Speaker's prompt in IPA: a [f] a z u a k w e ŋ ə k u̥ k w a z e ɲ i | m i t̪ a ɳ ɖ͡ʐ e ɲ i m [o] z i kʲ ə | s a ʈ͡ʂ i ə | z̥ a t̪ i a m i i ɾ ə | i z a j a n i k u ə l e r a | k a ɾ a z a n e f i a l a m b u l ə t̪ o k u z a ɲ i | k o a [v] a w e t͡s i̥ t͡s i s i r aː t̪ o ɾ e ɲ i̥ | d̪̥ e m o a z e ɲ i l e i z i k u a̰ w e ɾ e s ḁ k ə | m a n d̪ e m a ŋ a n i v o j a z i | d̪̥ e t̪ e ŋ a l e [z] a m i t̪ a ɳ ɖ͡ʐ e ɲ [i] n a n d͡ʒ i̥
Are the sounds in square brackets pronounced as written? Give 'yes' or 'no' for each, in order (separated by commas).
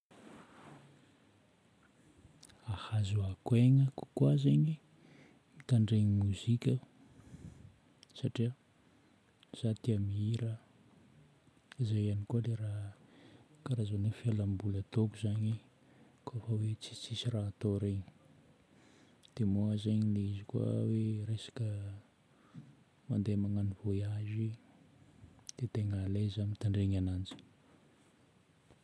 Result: no, no, no, yes, no